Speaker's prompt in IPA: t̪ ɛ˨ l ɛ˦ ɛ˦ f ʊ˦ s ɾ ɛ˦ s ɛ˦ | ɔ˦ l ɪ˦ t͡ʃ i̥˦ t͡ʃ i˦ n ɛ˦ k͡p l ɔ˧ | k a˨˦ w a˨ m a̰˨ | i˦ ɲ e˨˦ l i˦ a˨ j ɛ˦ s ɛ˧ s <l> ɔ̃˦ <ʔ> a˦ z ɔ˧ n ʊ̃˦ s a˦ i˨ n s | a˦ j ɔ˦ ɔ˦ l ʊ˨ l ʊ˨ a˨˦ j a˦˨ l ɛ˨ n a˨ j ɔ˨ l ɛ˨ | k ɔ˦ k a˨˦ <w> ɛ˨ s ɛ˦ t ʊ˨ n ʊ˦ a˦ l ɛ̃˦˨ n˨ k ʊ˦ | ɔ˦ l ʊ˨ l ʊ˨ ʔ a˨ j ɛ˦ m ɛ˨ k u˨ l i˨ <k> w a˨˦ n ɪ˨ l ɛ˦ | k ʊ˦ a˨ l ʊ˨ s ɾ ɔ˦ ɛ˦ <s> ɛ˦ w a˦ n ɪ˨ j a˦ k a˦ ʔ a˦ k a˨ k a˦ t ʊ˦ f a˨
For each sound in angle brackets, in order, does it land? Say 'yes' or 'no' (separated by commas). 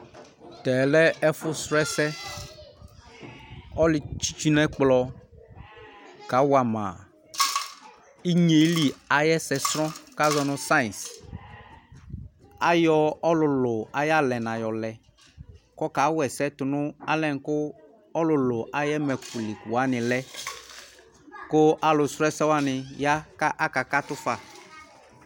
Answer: no, no, yes, yes, yes